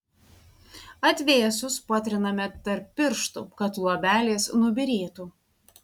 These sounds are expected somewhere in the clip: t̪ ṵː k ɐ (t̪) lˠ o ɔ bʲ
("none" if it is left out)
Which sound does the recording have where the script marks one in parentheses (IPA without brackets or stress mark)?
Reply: t̪